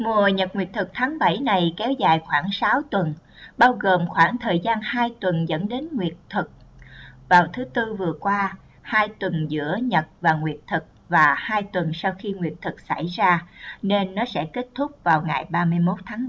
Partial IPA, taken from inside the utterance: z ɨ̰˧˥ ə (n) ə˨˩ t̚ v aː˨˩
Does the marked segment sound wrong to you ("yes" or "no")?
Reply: yes